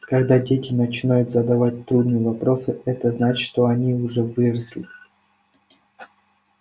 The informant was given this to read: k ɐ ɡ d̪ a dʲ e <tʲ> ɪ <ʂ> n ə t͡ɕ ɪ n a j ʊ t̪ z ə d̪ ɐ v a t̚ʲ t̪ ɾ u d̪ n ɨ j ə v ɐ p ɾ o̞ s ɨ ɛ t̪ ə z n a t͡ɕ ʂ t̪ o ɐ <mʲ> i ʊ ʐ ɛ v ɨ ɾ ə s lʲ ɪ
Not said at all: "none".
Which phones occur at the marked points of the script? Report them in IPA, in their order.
tʲ, none, nʲ

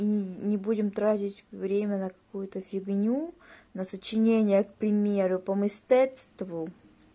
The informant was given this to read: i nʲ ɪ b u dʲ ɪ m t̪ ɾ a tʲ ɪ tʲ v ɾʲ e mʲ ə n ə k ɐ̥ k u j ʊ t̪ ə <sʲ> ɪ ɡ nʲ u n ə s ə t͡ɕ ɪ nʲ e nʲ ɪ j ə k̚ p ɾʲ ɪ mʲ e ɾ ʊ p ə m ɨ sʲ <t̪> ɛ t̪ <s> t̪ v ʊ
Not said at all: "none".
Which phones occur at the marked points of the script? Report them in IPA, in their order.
fʲ, t̪, s

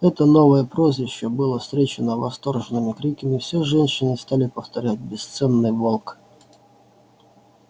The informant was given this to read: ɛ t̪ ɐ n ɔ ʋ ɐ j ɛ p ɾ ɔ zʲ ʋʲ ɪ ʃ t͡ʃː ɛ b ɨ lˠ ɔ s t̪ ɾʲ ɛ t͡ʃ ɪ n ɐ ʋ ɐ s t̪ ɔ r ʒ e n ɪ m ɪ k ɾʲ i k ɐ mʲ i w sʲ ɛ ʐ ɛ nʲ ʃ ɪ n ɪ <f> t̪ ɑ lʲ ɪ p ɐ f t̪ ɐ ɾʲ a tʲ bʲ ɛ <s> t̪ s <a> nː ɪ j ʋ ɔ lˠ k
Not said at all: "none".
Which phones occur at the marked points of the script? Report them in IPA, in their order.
s, s, ɛ

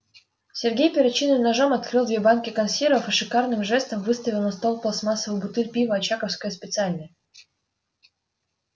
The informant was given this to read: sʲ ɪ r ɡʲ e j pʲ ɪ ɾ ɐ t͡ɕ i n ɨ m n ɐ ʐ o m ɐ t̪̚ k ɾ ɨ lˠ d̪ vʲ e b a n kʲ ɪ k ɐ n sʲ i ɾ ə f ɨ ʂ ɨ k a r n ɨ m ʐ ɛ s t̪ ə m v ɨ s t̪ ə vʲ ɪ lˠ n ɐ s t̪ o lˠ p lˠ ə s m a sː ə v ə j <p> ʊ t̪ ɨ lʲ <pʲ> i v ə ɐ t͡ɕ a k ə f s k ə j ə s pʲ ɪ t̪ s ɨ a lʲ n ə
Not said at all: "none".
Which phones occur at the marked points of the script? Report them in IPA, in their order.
b, pʲ

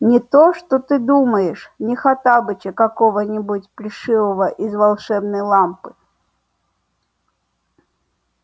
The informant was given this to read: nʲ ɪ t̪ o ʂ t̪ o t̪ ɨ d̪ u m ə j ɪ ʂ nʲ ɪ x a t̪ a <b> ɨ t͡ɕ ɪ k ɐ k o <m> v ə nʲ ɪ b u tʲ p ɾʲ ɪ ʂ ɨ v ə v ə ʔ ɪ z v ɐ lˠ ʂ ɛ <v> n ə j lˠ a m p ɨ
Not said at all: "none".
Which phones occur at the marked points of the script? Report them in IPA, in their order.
b, none, b

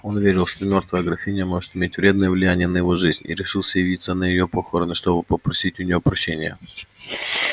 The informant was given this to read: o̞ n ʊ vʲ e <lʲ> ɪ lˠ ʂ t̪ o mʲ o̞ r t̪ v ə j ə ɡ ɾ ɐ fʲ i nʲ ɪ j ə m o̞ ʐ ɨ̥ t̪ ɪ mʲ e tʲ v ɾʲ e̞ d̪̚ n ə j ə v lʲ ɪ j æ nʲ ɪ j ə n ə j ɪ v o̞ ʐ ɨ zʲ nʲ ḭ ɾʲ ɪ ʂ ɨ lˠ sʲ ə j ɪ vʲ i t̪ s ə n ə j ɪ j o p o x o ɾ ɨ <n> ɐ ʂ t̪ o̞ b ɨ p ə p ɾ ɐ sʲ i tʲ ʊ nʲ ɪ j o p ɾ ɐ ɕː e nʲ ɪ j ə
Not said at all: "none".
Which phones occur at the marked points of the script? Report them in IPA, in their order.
ɾʲ, n

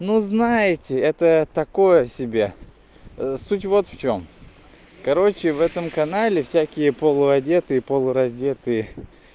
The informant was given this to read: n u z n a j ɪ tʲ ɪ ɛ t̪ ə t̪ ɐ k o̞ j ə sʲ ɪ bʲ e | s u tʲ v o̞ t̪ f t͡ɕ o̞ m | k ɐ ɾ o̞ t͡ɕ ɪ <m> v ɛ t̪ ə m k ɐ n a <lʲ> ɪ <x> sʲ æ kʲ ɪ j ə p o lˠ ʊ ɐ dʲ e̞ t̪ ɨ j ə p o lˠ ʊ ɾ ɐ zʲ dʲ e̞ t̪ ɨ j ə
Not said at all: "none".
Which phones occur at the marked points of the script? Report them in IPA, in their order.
none, lʲ, f

